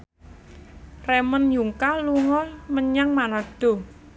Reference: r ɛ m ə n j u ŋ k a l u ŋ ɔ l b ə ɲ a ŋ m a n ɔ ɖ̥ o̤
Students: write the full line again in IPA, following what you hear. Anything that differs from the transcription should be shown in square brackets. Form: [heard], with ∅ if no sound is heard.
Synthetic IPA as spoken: r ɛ m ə n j u ŋ k a l u ŋ ɔ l [m] ə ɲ a ŋ m a n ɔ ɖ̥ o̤